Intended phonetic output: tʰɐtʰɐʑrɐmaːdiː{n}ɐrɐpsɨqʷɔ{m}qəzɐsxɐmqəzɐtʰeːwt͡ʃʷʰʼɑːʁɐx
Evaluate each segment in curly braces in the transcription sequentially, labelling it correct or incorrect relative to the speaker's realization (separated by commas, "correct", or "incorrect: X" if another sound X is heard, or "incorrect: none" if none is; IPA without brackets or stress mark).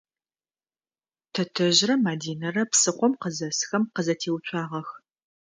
correct, correct